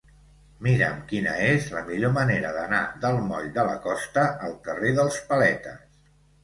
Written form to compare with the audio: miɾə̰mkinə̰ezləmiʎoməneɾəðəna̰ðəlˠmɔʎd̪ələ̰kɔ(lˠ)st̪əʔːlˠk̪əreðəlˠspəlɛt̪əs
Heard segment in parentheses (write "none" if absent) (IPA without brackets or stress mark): none